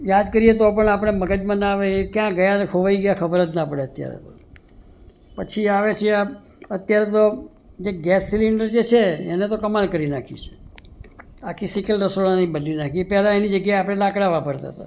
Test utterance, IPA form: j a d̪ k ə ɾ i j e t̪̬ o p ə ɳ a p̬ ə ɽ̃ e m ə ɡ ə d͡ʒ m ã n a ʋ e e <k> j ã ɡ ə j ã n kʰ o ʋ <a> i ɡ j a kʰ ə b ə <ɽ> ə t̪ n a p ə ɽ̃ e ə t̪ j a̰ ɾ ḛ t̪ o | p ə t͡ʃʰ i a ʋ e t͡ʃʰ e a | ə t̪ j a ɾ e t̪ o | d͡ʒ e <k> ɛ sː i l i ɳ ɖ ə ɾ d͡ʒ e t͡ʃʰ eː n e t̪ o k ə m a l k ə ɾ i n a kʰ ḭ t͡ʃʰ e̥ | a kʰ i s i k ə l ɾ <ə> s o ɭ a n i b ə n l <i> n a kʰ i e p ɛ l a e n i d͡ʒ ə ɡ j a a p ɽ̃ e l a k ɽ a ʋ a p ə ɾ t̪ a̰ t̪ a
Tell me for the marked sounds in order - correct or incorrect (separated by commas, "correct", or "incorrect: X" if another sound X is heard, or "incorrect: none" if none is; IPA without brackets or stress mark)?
correct, correct, incorrect: ɾ, incorrect: ɡ, correct, correct